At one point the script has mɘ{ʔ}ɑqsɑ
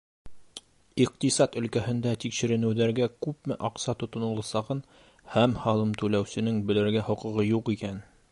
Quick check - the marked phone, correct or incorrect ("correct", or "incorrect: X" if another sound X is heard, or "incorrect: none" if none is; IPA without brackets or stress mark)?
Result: correct